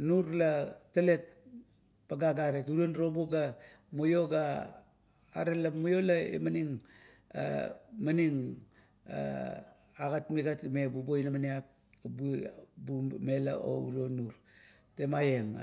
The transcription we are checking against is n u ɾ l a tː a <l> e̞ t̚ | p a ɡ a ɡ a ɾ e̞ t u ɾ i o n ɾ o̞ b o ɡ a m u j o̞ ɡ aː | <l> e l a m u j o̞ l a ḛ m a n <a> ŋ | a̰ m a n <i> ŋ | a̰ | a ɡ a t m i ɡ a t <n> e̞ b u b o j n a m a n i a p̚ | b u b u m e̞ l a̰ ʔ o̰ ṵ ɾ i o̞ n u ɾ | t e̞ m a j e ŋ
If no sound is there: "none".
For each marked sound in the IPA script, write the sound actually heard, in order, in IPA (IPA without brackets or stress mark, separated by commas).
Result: l, ɾ, i, i, m